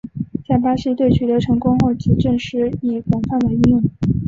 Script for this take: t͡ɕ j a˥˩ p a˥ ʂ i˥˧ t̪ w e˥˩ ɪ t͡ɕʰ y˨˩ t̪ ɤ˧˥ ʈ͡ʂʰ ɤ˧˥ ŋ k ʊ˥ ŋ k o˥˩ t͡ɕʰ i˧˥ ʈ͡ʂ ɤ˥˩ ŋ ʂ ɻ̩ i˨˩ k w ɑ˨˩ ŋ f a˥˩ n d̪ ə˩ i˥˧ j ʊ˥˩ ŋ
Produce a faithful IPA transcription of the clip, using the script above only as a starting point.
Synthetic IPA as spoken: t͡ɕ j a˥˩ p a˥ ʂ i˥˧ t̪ w e˥˩ ɪ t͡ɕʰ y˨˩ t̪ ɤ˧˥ ʈ͡ʂʰ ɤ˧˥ ŋ k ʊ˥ ŋ x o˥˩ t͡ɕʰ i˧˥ ʈ͡ʂ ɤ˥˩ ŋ ʂ ɻ̩ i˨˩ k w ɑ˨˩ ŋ f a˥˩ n d̪ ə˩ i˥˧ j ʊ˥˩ ŋ